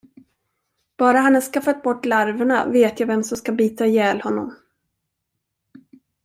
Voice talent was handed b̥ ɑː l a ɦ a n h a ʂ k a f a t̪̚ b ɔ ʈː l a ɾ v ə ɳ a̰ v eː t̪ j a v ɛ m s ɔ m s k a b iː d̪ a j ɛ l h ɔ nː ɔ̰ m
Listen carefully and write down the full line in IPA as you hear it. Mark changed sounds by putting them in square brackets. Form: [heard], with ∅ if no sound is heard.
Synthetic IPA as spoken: b̥ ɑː [ɾ] a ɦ a n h a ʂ k a f a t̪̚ b ɔ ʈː l a ɾ v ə ɳ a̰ v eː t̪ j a v ɛ m s ɔ m s k a b iː [t̪] a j [ɛː] l h ɔ nː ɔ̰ m